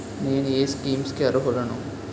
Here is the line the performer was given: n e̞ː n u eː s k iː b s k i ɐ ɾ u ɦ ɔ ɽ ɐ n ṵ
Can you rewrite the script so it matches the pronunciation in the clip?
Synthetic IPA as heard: n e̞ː n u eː s k iː m s k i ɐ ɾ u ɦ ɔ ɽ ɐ n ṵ